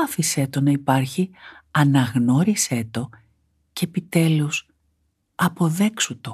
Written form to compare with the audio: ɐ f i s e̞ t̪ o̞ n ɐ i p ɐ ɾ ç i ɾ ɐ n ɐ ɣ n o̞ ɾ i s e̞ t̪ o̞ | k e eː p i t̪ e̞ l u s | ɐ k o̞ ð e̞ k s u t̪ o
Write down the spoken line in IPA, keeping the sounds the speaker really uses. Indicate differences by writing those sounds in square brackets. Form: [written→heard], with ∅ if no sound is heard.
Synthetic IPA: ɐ f i s e̞ t̪ o̞ n ɐ i p ɐ ɾ ç i [ɾ→∅] ɐ n ɐ ɣ n o̞ ɾ i s e̞ t̪ o̞ | [k→c] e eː p i t̪ e̞ l u s | ɐ [k→p] o̞ ð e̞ k s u t̪ o